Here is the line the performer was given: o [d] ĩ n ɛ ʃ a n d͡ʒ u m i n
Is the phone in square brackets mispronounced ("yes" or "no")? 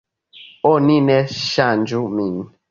yes